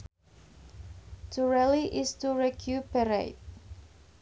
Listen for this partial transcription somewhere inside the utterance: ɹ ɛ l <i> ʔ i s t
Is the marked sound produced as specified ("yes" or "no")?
yes